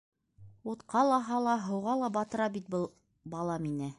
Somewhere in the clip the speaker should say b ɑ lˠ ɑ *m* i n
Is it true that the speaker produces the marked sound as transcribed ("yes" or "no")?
yes